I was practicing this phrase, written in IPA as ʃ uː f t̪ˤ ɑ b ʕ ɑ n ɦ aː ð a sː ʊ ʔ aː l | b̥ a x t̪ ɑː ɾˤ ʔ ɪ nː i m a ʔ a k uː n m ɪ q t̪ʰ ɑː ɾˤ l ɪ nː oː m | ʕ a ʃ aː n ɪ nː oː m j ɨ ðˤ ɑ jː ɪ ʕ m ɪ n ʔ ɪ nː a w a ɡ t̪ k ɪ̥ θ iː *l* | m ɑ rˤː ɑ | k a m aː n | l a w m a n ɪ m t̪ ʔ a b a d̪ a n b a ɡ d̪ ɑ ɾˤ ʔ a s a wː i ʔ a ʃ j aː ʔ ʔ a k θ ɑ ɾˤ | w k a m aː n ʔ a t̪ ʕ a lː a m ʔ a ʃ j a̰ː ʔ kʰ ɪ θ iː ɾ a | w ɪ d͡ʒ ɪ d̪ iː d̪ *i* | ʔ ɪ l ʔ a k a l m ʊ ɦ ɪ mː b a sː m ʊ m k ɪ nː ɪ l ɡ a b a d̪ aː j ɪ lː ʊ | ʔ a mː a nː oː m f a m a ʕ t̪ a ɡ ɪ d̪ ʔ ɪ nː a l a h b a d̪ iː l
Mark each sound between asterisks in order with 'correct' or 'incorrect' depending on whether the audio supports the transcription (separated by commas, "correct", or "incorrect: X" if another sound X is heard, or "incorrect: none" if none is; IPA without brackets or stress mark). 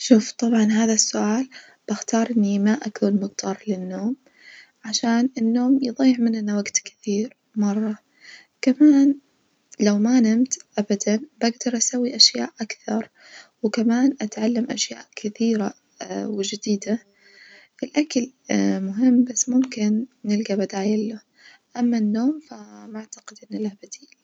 incorrect: ɾ, incorrect: a